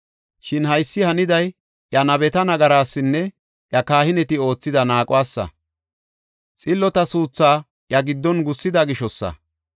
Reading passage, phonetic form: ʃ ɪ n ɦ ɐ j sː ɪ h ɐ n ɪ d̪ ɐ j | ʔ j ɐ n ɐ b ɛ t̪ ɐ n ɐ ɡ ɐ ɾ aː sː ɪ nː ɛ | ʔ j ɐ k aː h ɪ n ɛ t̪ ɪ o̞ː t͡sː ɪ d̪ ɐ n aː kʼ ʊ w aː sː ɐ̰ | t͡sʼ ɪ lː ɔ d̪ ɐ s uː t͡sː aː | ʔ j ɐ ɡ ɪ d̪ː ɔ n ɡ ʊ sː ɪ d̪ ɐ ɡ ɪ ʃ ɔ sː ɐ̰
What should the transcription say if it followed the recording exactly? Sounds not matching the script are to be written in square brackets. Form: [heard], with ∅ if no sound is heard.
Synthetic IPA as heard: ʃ ɪ n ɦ ɐ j sː ɪ h ɐ n ɪ d̪ ɐ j | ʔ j ɐ n ɐ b ɛ t̪ ɐ n ɐ ɡ ɐ ɾ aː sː ɪ nː ɛ | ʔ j ɐ k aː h ɪ n ɛ t̪ ɪ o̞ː t͡sː ɪ d̪ ɐ n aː kʼ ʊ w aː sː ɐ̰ | t͡sʼ ɪ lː ɔ [t̪] ɐ s uː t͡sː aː | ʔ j ɐ ɡ ɪ d̪ː ɔ n ɡ ʊ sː ɪ d̪ ɐ ɡ ɪ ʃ ɔ sː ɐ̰